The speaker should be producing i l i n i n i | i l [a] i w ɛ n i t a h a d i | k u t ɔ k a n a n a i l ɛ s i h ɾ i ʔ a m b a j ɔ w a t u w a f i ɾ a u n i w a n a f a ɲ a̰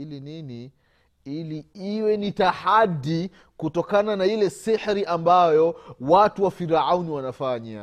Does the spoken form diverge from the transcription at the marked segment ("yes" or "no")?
yes